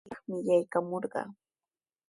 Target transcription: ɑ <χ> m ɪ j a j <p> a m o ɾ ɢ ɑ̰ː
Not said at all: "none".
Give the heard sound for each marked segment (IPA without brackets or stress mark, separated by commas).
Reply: χ, k